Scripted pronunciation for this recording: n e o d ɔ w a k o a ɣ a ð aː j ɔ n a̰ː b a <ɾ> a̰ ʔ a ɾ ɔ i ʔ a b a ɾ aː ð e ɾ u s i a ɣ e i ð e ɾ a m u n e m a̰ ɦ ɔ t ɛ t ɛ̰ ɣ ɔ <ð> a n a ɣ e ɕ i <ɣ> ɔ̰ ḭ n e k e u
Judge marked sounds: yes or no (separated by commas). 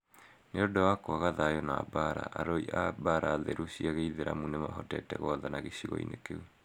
yes, yes, yes